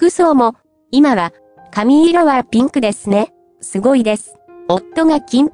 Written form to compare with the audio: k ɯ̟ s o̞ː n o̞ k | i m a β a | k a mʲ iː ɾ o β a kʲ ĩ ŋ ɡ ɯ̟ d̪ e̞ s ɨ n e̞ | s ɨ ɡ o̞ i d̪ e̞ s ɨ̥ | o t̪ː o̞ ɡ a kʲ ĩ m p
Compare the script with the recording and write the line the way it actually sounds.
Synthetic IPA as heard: k ɯ̟ s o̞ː m o̞ | i m a β a | k a mʲ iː ɾ o β a pʲ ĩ ŋ k ɯ̟ d̪ e̞ s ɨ n e̞ | s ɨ ɡ o̞ i d̪ e̞ s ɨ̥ | o t̪ː o̞ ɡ a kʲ ĩ m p